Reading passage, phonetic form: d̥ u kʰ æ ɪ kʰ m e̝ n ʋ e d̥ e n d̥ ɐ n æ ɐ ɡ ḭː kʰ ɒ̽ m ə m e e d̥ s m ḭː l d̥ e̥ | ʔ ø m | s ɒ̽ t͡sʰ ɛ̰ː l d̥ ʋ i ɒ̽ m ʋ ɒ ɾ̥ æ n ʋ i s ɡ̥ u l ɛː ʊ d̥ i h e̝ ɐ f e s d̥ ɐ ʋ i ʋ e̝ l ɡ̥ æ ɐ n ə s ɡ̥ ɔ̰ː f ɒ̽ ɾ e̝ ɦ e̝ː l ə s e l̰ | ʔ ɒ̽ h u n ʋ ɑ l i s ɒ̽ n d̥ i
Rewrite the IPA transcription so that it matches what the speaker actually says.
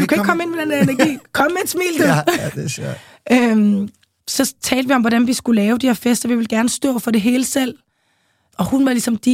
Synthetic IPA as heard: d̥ u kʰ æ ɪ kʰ m e̝ n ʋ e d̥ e n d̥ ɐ n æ ɐ ɡ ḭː kʰ ɒ̽ m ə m e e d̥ s m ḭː l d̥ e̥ | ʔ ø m | s ɒ̽ t͡sʰ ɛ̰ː l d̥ ʋ i ɒ̽ m ʋ ɒ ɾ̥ æ n ʋ i s ɡ̥ u l ɛː ʊ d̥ i h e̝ ɐ f e s d̥ ɐ ʋ i ʋ e̝ l ɡ̥ æ ɐ n ə s d̥ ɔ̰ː f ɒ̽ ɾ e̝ ɦ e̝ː l ə s e l̰ | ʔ ɒ̽ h u n ʋ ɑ l i s ɒ̽ m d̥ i